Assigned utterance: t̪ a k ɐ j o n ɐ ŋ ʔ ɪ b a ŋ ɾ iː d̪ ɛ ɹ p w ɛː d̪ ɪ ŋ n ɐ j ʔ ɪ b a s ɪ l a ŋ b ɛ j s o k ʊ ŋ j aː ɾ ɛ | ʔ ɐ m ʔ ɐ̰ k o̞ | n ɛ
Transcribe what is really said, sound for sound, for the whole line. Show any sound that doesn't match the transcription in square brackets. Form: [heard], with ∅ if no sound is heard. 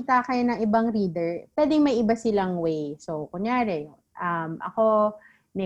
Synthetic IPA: t̪ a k ɐ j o n ɐ ŋ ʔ ɪ b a ŋ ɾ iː d̪ ɛ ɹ p w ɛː d̪ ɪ ŋ [m] ɐ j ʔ ɪ b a s ɪ l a ŋ [w] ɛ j s o k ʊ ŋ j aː ɾ ɛ | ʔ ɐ m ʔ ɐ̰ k o̞ | n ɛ